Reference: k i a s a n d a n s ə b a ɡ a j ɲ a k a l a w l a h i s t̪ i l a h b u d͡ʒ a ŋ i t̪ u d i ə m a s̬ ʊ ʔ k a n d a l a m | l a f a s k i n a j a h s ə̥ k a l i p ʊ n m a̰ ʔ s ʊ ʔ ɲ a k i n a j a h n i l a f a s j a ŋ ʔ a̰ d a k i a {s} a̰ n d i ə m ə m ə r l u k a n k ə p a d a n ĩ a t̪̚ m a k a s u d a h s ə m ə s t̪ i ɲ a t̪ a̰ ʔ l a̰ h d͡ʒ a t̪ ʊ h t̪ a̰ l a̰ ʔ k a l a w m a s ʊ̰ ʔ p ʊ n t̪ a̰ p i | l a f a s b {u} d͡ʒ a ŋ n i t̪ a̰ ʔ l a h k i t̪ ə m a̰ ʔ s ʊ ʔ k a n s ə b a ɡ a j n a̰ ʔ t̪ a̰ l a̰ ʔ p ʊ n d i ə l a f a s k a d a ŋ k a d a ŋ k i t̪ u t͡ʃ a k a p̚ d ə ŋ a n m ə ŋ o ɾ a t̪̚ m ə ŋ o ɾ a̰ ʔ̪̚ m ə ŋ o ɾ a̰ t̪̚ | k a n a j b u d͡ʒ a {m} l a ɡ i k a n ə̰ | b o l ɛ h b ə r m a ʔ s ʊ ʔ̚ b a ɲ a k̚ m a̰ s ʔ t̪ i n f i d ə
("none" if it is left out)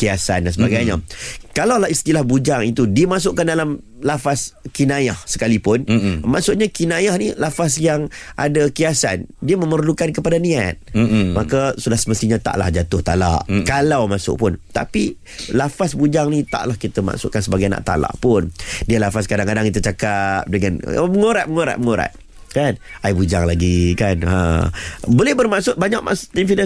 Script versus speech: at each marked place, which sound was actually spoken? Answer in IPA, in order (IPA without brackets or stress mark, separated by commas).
s, u, ŋ